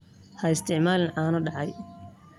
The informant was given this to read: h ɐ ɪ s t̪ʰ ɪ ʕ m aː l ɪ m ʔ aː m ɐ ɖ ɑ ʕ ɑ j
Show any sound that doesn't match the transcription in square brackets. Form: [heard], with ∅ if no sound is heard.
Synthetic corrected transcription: h ɐ ɪ s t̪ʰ ɪ ʕ m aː l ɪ [n] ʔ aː [n] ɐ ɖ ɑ ʕ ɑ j